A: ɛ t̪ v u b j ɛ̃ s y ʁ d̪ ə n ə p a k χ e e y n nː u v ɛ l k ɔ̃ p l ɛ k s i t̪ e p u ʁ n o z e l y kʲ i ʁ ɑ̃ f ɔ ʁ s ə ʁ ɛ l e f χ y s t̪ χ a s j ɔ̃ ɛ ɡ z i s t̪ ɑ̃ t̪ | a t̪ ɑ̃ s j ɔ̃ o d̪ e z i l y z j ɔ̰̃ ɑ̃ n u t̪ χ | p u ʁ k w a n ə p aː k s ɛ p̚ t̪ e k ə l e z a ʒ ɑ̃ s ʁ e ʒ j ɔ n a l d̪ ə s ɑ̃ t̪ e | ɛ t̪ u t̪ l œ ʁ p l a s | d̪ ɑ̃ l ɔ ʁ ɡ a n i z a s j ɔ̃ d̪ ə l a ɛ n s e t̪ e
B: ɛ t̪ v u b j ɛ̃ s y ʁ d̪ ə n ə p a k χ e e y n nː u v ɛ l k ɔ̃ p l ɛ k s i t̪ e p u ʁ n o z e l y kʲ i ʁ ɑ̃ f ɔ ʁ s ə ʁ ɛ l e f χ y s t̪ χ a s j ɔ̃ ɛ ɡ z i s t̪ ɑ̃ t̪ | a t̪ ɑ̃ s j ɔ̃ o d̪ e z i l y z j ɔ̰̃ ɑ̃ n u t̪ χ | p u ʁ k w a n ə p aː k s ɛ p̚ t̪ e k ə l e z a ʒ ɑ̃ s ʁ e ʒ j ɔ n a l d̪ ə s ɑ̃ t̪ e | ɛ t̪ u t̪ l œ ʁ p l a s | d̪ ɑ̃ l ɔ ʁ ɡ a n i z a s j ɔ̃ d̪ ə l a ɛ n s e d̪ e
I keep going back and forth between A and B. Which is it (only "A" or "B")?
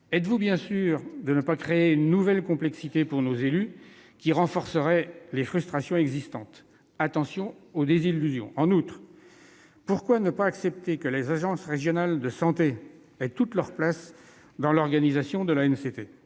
A